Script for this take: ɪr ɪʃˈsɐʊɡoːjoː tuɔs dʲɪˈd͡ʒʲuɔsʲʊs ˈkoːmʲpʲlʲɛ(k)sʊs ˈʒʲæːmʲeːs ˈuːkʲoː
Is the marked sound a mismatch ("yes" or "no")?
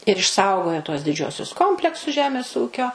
no